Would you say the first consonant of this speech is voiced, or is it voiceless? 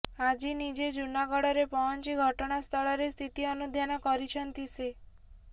voiced